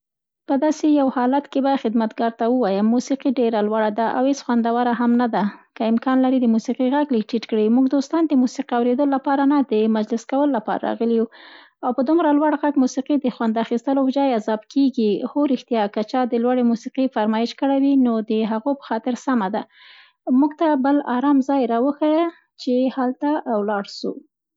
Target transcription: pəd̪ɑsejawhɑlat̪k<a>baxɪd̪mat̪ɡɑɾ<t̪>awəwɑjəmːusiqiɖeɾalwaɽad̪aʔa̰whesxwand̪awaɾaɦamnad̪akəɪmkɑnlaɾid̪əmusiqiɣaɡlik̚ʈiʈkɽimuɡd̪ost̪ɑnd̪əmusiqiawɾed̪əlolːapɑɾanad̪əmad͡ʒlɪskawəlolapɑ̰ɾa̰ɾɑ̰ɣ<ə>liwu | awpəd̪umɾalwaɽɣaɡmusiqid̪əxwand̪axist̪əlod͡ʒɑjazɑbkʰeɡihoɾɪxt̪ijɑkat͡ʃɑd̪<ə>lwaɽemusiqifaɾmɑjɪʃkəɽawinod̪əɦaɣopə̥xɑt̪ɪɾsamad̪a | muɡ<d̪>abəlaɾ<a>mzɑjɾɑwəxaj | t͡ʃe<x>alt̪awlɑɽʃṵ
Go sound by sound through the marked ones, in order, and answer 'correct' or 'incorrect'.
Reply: incorrect: e, correct, correct, correct, incorrect: t̪, incorrect: ɑ, incorrect: h

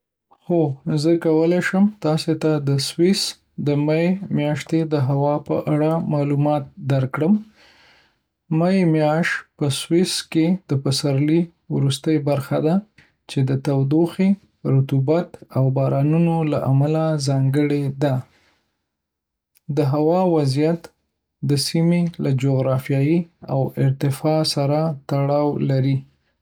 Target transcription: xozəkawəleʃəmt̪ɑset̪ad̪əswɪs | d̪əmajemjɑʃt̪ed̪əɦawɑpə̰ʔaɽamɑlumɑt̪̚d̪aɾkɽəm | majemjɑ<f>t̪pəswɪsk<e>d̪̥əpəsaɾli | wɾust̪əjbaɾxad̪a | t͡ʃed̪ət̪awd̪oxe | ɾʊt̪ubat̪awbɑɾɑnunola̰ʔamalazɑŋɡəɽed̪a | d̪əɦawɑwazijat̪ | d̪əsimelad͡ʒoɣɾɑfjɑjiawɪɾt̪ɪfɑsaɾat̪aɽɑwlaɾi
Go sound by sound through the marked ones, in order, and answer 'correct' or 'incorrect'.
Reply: incorrect: ʃ, correct

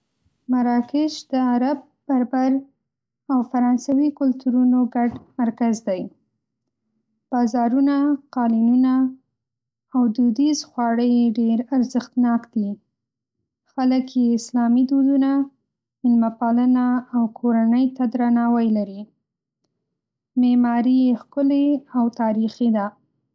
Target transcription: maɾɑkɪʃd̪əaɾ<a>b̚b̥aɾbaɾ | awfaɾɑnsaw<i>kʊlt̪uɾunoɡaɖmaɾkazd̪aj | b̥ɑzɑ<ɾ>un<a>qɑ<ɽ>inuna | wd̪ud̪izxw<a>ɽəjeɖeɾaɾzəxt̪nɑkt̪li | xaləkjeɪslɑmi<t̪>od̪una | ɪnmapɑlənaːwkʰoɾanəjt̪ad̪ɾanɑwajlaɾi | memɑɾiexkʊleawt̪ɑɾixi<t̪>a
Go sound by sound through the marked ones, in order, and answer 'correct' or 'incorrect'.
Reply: correct, correct, correct, correct, incorrect: l, incorrect: ɑ, incorrect: d̪, incorrect: d̪

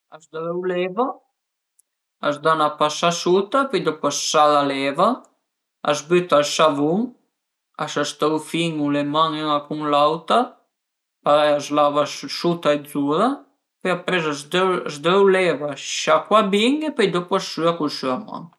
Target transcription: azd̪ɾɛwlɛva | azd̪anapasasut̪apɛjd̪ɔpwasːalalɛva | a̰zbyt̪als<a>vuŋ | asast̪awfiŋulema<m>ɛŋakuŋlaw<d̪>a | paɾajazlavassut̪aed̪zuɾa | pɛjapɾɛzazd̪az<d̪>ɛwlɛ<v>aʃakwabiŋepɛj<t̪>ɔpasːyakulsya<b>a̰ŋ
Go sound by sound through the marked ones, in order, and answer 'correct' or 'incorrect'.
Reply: correct, incorrect: ŋ, incorrect: t̪, correct, correct, incorrect: d̪, incorrect: m

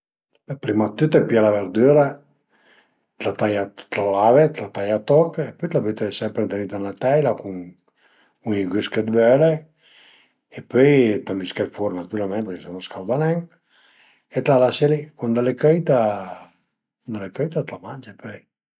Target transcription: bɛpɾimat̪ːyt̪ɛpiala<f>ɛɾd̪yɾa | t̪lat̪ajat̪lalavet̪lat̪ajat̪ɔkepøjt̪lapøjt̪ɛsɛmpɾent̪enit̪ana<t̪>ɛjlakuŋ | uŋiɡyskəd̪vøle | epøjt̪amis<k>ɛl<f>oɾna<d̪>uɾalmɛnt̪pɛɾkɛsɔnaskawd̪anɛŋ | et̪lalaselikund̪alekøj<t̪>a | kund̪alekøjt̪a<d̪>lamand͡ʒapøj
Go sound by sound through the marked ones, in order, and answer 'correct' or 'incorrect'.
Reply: incorrect: v, correct, correct, correct, incorrect: t̪, correct, incorrect: t̪

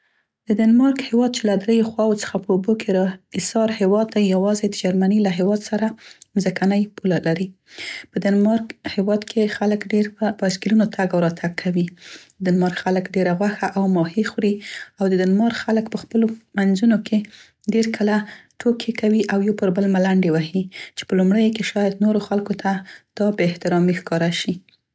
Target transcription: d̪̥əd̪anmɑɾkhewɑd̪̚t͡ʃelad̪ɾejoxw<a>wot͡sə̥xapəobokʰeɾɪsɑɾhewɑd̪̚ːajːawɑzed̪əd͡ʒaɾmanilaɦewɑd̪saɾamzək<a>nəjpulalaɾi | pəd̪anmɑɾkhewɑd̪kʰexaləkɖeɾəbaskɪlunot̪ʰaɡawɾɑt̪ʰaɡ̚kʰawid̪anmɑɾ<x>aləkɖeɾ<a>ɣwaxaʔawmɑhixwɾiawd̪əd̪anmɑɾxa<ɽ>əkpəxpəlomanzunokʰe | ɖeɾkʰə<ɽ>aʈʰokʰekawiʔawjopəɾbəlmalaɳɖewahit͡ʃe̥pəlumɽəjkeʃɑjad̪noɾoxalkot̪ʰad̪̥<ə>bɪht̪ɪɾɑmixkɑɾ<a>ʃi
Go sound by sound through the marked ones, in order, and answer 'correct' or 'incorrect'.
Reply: incorrect: ɑ, correct, correct, correct, incorrect: l, incorrect: l, incorrect: ɑ, correct

